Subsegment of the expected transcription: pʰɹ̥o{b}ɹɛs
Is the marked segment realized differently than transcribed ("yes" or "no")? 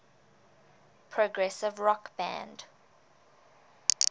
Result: yes